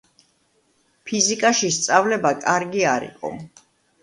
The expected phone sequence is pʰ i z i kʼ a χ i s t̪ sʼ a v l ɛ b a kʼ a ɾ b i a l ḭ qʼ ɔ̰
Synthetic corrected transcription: pʰ i z i kʼ a ʃ i s t̪ sʼ a v l ɛ b a kʼ a ɾ ɡ i a ɾ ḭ qʼ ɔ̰